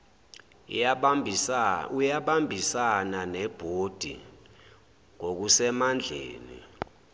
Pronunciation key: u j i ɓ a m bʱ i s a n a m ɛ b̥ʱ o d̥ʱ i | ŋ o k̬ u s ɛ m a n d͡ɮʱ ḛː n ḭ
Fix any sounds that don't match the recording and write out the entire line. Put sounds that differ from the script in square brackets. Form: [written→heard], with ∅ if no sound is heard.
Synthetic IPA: u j [i→a] ɓ a m bʱ i s a n a [m→n] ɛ b̥ʱ o d̥ʱ i | ŋ o k̬ u s ɛ m a n d͡ɮʱ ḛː n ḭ